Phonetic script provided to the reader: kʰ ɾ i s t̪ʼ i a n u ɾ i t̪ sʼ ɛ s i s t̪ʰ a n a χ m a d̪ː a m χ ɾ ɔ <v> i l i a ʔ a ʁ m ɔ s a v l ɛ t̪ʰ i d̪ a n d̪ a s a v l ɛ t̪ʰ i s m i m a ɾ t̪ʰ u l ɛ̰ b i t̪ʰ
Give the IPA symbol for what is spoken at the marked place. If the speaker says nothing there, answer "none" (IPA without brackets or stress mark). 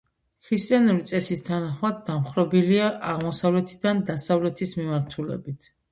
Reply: b